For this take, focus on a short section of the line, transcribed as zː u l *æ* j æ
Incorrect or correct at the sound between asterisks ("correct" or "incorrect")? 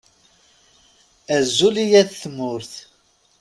incorrect